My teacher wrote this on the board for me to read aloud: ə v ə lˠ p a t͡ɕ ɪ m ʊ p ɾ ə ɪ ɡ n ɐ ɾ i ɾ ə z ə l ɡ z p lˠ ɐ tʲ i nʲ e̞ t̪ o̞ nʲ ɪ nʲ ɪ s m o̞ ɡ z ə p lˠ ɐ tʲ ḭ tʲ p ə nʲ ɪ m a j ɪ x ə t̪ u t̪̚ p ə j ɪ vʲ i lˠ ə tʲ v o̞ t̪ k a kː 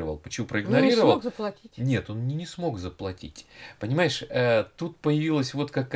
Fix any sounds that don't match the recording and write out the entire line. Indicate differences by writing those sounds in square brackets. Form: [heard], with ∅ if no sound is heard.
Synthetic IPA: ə v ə lˠ p [ə] t͡ɕ ɪ m [u] p ɾ ə ɪ ɡ n ɐ ɾ i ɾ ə [v] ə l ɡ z p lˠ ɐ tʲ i nʲ e̞ t̪ o̞ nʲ ɪ nʲ ɪ s m o̞ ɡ z ə p lˠ ɐ tʲ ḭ tʲ p ə nʲ ɪ m a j ɪ [ʂ] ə t̪ u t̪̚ p ə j ɪ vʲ i lˠ ə [sʲ] v o̞ t̪ k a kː